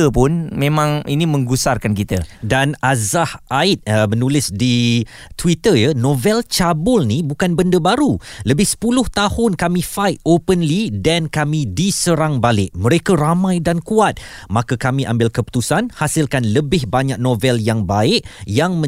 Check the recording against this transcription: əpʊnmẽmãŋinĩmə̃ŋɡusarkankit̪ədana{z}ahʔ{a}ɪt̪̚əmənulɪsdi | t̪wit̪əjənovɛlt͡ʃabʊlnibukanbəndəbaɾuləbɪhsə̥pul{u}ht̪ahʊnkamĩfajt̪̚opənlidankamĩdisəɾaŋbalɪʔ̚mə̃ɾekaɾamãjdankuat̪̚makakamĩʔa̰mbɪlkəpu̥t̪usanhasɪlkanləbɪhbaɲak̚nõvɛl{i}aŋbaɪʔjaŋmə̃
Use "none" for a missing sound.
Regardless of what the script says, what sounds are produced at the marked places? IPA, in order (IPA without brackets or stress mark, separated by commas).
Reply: z, a, ʊ, j